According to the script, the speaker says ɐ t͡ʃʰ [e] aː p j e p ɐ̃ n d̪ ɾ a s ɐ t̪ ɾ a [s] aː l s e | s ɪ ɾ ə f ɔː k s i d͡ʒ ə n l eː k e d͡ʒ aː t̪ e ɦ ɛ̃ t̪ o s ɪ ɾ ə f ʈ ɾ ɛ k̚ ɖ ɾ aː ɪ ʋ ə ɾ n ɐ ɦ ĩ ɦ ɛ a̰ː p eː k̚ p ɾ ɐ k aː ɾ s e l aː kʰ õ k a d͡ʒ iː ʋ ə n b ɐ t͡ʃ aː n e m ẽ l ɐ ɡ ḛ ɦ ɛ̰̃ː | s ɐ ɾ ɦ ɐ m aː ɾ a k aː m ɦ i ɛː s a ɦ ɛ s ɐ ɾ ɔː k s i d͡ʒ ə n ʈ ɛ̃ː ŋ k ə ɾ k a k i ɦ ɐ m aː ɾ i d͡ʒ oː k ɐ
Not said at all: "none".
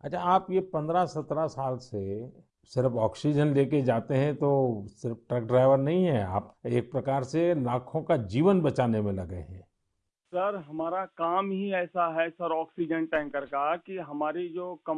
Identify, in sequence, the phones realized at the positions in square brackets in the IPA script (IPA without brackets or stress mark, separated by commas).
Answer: a, s